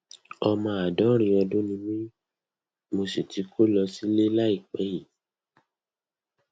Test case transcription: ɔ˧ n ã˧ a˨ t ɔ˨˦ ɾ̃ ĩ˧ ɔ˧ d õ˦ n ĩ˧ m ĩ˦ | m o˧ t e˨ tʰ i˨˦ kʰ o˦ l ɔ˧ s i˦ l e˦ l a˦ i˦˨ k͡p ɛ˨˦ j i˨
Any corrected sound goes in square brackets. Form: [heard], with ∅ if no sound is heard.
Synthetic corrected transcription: ɔ˧ [m] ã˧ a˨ [d] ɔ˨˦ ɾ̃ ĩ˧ ɔ˧ d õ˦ n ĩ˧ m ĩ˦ | m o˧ [s] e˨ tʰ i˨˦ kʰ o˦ l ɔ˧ s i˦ l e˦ l a˦ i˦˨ k͡p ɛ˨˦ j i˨